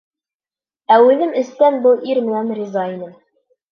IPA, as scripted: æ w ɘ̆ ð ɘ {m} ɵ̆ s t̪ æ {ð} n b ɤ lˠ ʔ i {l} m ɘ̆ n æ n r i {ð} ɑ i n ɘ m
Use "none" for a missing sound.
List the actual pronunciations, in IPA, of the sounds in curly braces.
m, none, ɾ, z

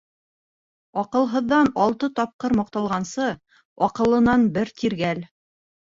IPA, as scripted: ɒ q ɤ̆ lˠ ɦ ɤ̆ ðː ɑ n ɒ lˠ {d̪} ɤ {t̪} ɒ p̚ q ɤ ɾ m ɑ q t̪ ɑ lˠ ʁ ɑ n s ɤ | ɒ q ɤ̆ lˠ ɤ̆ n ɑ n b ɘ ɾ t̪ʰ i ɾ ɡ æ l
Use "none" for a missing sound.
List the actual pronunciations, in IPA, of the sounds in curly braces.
t̪, t̪

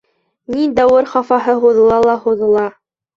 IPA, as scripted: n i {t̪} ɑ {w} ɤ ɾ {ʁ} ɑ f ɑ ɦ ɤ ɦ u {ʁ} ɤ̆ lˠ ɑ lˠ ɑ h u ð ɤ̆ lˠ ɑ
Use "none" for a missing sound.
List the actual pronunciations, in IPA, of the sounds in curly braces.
d̪, w, χ, ð

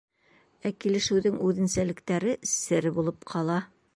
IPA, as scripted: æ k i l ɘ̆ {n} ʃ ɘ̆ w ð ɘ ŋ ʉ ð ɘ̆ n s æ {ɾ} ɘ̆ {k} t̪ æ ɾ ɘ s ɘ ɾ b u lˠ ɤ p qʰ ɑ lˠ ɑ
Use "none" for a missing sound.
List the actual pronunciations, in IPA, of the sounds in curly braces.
none, l, k

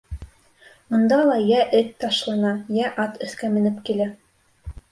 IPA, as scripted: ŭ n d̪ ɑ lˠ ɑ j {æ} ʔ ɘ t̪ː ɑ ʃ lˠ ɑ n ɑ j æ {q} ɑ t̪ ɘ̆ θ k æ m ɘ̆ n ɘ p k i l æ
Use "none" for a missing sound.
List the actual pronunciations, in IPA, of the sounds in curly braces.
æ, ʔ

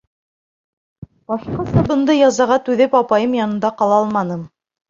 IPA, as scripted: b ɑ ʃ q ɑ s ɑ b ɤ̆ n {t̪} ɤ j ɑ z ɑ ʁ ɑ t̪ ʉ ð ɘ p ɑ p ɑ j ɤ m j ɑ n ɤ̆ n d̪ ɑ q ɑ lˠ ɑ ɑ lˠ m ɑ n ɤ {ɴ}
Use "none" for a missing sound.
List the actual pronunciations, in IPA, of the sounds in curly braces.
d̪, m

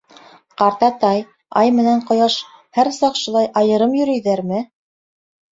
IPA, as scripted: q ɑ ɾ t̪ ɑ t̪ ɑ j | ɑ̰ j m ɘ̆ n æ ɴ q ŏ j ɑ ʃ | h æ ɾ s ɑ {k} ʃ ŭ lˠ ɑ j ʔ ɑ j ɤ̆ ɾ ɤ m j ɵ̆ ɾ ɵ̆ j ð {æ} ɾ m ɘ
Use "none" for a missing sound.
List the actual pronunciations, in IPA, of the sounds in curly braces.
q, æ

